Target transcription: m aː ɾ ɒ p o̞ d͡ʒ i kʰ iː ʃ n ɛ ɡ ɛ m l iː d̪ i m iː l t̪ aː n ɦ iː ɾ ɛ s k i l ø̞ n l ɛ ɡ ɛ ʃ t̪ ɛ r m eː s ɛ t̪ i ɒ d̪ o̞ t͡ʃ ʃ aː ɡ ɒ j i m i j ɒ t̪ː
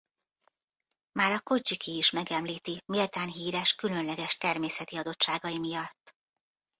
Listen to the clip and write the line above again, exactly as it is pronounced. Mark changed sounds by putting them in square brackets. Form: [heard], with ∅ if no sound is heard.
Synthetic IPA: m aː ɾ ɒ [k] o̞ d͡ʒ i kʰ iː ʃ [m] ɛ ɡ ɛ m l iː [t̪] i m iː l t̪ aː n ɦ iː ɾ ɛ [ʃ] k [y] l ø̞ n l ɛ ɡ ɛ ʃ t̪ ɛ r m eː s ɛ t̪ i ɒ d̪ o̞ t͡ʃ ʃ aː ɡ ɒ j i m i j ɒ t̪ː